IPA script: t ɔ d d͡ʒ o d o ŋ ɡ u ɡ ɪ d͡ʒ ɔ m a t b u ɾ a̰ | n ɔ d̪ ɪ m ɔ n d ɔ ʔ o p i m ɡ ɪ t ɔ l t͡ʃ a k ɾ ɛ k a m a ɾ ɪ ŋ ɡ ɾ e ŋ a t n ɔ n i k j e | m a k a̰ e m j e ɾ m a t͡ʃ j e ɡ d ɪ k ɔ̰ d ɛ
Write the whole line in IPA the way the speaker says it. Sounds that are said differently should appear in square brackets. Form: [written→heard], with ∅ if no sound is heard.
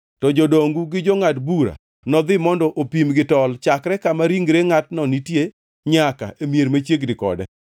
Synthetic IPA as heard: t ɔ [d→∅] d͡ʒ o d o ŋ ɡ u ɡ ɪ d͡ʒ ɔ [m→ŋ] a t b u ɾ a̰ | n ɔ d̪ ɪ m ɔ n d ɔ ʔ o p i m ɡ ɪ t ɔ l t͡ʃ a k ɾ ɛ k a m a ɾ [ɪ→i] ŋ ɡ ɾ e ŋ a t n ɔ n i [k→t] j e | [m→ɲ] a k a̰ e m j e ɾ m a t͡ʃ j e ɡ d ɪ k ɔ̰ d ɛ